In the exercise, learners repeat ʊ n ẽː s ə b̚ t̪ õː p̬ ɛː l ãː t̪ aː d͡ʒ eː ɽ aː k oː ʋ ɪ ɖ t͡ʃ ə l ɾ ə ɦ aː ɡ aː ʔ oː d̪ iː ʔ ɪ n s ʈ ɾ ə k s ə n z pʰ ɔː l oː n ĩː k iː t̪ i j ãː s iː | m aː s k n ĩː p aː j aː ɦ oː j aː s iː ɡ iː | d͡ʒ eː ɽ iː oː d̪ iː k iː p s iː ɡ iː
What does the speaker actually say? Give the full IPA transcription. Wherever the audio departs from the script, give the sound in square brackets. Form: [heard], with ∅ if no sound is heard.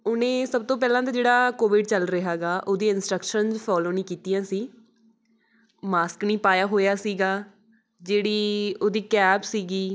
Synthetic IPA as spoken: ʊ n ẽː s ə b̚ t̪ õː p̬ ɛː l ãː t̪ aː d͡ʒ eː ɽ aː k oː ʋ ɪ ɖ t͡ʃ ə l ɾ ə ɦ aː ɡ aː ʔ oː d̪ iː [∅] ɪ n s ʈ ɾ ə k [ʃ] ə n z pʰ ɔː l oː n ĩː k iː t̪ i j ãː s iː | m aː s k n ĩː p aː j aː ɦ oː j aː s iː ɡ [aː] | d͡ʒ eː ɽ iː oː d̪ iː k [ɛː] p s iː ɡ iː